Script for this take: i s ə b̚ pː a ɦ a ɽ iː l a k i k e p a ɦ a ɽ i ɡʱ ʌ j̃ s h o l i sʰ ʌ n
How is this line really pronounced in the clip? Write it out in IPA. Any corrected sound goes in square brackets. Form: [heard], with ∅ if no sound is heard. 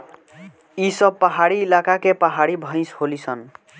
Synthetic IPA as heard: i s [ʌ] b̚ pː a ɦ a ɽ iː l a k [a] k e p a ɦ a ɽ i [bʱ] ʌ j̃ s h o l i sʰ ʌ n